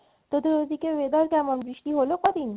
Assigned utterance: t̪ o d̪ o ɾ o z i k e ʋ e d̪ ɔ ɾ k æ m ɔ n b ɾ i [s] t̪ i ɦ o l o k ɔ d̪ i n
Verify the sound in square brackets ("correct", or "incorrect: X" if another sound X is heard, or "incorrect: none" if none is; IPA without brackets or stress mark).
incorrect: ʃ